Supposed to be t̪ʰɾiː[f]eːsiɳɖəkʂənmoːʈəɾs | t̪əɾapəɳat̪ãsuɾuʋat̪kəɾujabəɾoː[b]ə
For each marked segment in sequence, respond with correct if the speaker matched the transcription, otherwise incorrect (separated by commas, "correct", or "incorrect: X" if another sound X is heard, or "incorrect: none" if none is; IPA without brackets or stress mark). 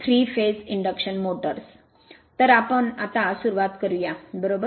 correct, correct